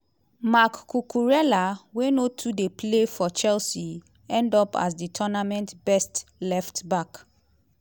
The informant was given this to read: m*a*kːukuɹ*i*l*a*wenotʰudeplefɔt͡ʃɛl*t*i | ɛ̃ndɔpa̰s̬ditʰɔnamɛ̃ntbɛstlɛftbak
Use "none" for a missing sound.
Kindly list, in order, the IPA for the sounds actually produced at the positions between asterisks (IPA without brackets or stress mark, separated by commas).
a, ɛ, a, s